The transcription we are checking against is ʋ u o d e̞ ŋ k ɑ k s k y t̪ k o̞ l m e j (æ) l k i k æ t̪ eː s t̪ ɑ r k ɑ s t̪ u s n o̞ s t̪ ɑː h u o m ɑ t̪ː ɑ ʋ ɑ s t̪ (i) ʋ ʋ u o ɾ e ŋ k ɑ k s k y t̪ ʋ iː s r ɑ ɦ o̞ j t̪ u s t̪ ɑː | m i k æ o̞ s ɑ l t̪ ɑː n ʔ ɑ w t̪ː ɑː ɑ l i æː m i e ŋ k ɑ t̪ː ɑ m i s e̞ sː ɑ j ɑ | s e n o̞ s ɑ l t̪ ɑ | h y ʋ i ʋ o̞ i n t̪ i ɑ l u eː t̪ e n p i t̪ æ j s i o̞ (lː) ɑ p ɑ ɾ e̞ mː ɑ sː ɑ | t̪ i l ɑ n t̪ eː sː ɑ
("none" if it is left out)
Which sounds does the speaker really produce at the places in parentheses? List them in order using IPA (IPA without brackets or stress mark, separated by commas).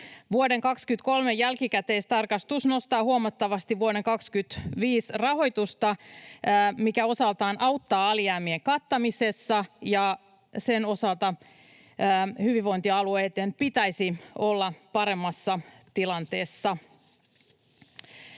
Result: æ, i, lː